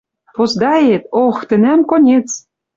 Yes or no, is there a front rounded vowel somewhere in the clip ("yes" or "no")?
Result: no